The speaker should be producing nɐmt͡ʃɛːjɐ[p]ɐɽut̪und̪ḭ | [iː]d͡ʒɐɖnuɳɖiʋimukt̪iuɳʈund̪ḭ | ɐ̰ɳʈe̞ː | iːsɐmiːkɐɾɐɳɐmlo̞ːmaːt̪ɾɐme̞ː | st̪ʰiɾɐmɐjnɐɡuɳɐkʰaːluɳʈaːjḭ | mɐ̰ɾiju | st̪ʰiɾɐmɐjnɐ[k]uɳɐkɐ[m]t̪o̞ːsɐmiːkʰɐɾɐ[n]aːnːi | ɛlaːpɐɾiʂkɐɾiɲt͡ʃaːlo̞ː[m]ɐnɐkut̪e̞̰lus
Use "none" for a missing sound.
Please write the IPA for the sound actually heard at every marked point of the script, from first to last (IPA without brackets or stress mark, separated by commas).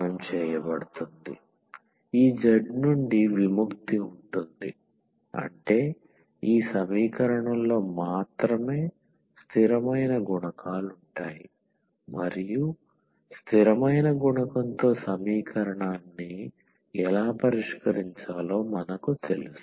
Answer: b, iː, ɡ, n, ɳ, m